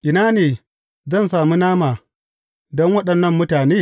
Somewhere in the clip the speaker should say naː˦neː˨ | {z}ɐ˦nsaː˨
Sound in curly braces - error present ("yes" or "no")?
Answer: no